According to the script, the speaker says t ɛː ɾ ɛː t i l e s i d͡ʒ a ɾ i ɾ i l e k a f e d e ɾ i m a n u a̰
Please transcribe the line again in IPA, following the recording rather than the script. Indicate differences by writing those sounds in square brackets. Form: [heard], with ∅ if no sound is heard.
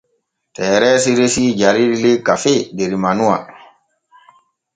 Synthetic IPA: t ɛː ɾ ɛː [s] i [ɾ] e s i d͡ʒ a ɾ i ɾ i l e k a f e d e ɾ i m a n u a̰